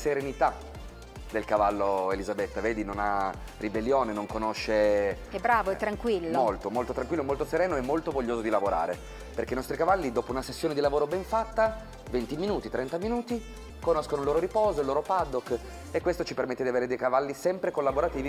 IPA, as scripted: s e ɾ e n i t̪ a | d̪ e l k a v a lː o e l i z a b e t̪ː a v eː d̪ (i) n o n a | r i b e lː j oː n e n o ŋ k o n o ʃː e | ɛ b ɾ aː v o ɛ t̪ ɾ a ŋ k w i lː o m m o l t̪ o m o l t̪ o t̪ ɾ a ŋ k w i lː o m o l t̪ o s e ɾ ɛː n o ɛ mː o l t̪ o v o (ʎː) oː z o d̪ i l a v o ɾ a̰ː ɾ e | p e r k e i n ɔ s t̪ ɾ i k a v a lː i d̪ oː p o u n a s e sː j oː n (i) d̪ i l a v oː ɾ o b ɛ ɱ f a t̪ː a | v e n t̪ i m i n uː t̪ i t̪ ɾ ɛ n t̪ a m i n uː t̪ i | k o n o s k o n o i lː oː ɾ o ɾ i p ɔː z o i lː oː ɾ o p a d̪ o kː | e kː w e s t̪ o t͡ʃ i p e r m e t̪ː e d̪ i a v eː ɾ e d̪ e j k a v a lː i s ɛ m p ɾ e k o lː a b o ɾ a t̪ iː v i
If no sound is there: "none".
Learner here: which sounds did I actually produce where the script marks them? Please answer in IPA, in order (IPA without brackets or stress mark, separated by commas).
i, ʎː, e